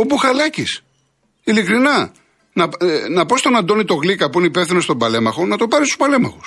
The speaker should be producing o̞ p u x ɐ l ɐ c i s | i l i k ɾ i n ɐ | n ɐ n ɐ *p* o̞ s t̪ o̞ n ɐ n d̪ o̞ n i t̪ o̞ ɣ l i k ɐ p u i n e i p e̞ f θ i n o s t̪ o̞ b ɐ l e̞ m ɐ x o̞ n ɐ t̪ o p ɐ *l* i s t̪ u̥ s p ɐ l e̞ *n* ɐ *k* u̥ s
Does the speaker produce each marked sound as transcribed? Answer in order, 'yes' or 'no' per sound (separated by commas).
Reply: yes, no, no, no